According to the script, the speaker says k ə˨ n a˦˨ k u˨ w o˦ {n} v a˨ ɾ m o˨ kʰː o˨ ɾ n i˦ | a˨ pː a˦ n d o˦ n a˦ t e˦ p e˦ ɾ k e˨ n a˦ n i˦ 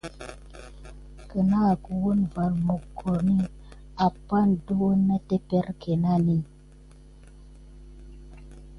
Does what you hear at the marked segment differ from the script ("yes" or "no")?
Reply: no